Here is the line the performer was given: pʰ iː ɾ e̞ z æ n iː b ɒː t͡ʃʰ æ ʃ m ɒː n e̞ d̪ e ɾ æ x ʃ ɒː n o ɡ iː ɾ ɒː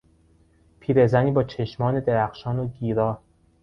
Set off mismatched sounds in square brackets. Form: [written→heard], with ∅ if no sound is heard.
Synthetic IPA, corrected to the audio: pʰ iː ɾ e̞ z æ n iː b ɒː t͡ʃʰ [æ→e] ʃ m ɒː n e̞ d̪ e ɾ æ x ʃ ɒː n o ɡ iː ɾ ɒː